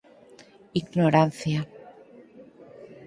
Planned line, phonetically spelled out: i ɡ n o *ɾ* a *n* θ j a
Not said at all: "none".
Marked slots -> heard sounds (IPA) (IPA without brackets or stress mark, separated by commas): ɾ, n